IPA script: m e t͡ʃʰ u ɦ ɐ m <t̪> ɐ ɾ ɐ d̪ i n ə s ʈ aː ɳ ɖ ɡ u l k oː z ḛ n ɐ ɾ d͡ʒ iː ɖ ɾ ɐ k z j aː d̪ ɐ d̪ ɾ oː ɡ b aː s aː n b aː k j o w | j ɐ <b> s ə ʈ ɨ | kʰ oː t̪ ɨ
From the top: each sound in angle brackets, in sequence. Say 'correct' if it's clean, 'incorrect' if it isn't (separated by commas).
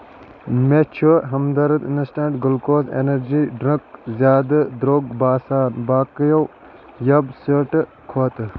incorrect, correct